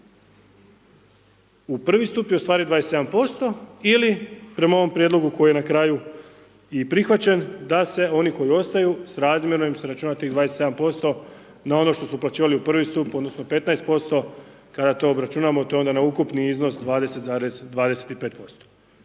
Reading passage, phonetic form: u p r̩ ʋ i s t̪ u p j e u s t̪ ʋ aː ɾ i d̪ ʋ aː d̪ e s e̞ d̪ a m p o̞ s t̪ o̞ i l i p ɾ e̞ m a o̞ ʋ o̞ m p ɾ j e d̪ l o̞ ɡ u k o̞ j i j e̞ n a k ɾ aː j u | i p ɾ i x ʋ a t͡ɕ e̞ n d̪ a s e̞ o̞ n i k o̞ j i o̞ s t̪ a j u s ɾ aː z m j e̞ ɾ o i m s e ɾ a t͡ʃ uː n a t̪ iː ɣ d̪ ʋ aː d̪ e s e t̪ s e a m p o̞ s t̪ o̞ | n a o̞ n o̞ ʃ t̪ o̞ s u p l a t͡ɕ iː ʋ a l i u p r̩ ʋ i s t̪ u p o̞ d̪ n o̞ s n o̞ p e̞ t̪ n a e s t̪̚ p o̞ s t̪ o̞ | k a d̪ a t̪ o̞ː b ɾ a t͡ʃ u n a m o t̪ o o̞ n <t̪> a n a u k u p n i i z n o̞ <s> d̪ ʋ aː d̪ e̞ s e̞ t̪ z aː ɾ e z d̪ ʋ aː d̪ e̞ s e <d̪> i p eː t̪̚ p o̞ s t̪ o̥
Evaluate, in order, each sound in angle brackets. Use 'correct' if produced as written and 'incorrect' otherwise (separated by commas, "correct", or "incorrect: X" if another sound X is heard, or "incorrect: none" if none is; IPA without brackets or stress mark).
incorrect: d̪, correct, incorrect: t̪